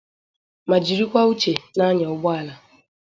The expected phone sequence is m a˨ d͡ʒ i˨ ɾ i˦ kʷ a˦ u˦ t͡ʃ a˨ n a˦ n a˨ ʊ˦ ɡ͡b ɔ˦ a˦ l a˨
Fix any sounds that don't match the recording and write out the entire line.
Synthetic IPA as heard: m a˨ d͡ʒ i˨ ɾ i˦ kʷ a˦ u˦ t͡ʃ e˨ n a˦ ɲ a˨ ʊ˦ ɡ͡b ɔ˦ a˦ l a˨